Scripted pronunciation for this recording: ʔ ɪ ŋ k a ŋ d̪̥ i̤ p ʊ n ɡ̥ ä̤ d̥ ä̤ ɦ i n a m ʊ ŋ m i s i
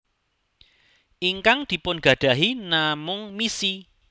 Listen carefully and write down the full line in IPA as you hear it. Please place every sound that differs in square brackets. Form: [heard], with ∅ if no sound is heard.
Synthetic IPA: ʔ [i] ŋ k a ŋ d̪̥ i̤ p ʊ n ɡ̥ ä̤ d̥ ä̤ ɦ i n a m ʊ ŋ m i s i